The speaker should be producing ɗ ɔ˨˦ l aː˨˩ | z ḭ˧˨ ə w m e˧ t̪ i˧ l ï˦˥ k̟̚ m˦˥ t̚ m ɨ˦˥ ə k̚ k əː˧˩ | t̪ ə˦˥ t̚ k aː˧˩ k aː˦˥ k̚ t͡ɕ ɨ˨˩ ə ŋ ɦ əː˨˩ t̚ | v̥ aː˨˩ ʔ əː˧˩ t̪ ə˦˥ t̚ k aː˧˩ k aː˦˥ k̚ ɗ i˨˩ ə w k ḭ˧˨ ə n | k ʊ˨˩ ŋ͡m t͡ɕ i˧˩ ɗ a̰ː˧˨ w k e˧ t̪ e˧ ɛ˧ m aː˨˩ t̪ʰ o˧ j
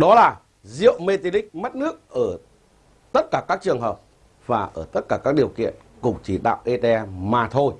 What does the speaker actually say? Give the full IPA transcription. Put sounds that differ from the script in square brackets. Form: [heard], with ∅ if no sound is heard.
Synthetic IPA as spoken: ɗ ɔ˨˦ l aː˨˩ | z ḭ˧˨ ə w m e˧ t̪ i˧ l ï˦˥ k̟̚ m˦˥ t̚ [n] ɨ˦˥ ə k̚ [ʔ] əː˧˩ | t̪ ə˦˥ t̚ k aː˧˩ k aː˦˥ k̚ t͡ɕ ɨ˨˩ ə ŋ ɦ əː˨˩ [p̚] | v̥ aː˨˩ ʔ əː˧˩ t̪ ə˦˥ t̚ k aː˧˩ k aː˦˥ k̚ ɗ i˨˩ ə w k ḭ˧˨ ə n | k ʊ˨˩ ŋ͡m t͡ɕ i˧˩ ɗ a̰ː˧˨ w [ʔ] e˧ t̪ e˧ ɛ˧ m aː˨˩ t̪ʰ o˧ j